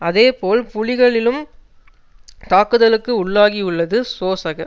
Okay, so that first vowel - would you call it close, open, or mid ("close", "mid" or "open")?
open